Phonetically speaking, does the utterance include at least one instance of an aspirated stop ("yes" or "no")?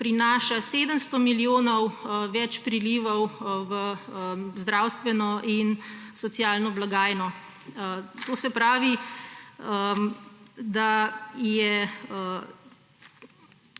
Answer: no